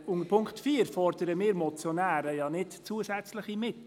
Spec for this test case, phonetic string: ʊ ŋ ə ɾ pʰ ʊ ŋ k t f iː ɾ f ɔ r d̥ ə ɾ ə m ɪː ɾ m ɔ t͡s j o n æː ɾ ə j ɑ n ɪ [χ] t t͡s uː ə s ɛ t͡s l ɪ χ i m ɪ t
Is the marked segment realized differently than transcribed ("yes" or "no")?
yes